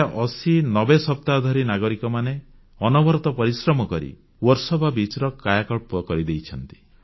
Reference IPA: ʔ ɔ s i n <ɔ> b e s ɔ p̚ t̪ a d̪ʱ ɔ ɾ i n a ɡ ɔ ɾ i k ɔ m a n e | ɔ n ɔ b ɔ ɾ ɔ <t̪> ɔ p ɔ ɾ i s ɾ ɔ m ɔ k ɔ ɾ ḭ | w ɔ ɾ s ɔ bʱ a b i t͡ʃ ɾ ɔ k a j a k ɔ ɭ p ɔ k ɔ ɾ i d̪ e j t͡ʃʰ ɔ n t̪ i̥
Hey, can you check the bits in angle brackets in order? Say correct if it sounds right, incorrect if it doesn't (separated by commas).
correct, correct